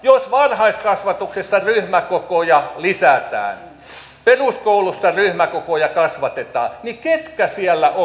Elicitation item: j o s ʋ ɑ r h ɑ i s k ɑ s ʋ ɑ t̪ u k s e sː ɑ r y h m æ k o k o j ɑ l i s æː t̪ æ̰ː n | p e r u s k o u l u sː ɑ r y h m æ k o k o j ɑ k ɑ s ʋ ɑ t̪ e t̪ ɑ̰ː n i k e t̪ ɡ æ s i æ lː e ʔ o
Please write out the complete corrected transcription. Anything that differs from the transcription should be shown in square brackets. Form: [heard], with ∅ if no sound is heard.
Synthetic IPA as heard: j o s ʋ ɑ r h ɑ i s k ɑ s ʋ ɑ t̪ u k s e sː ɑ r y h m æ k o k o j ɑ l i s [æ] t̪ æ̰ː n | p e r u s k o u l u sː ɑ r y h m æ k o k o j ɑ k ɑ s ʋ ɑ t̪ e t̪ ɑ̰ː n i k e t̪ [k] æ s i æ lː [æ] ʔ o